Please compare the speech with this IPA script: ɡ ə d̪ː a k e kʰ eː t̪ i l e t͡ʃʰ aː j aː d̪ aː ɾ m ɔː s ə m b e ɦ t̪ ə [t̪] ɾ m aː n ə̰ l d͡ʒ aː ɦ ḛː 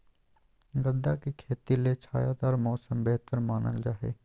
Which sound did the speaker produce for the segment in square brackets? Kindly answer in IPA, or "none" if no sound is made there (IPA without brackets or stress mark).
none